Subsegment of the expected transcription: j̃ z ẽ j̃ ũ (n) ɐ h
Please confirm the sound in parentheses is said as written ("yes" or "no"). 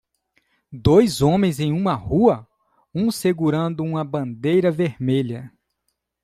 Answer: no